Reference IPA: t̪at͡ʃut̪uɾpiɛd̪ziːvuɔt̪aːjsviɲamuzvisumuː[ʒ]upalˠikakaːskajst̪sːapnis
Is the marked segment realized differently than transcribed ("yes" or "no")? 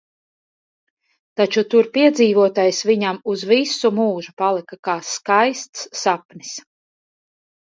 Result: no